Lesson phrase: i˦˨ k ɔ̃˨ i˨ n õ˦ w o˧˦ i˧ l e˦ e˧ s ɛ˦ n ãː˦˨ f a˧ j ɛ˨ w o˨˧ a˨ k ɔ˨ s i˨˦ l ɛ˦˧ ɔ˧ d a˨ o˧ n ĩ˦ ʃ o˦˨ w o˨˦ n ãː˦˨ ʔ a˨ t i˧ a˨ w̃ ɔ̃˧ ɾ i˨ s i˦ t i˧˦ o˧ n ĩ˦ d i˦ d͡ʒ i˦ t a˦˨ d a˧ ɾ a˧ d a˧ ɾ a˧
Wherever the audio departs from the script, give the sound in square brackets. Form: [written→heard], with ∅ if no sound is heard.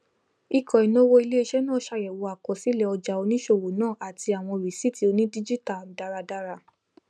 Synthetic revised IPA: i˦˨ k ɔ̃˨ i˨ n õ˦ w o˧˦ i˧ l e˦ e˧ [s→ʃ] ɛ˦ n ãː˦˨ [f→ʃ] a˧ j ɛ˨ w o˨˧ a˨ k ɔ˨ s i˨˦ l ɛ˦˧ ɔ˧ [d→d͡ʒ] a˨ o˧ n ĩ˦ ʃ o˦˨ w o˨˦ n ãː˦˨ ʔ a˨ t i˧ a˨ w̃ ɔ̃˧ ɾ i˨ s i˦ t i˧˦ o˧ n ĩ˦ d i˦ d͡ʒ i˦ t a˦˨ d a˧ ɾ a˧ d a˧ ɾ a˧